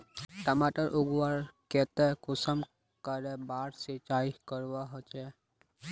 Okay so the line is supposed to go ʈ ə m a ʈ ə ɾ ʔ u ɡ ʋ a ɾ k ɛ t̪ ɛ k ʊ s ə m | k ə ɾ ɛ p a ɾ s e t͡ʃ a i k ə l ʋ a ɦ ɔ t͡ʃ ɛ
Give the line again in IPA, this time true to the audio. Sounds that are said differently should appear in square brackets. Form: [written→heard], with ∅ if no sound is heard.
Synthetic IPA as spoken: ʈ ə m a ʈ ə ɾ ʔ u ɡ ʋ a ɾ k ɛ t̪ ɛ k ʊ s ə m | k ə ɾ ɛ [p→b] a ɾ s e t͡ʃ a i k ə [l→ɾ] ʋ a ɦ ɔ t͡ʃ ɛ